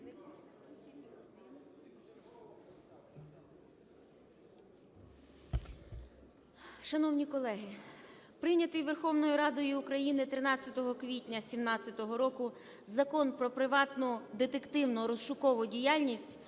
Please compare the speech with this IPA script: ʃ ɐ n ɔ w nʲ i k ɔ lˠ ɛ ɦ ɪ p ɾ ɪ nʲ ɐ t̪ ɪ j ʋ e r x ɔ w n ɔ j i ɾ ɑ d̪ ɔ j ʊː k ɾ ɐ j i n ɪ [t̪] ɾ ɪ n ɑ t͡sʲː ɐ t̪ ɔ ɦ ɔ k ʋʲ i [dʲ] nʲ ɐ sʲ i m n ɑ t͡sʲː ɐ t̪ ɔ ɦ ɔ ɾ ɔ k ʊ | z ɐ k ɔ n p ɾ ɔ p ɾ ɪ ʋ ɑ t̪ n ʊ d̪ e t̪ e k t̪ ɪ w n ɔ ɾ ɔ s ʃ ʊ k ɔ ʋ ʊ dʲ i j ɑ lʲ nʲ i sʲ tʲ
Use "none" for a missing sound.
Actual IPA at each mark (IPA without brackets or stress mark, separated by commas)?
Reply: t̪, tʲ